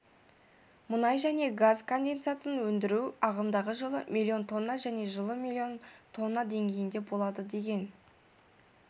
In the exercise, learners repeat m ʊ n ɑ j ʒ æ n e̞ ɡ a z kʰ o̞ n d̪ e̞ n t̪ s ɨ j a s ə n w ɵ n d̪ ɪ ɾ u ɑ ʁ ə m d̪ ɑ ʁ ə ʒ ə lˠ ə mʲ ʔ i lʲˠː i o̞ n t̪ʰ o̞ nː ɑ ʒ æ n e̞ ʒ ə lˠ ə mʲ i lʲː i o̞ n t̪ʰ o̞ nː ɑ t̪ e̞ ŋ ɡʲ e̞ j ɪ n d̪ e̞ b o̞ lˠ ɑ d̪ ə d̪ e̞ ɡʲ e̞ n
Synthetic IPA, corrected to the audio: m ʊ n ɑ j ʒ æ n e̞ ɡ a z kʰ o̞ n d̪ e̞ n t̪ s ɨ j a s ə n w ɵ n d̪ ɪ ɾ u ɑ ʁ ə m d̪ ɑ ʁ ə ʒ ə lˠ ə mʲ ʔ i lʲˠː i o̞ n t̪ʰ o̞ nː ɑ ʒ æ n e̞ ʒ ə lˠ ə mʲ i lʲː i o̞ n t̪ʰ o̞ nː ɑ d̪ e̞ ŋ ɡʲ e̞ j ɪ n d̪ e̞ b o̞ lˠ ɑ d̪ ə d̪ e̞ ɡʲ e̞ n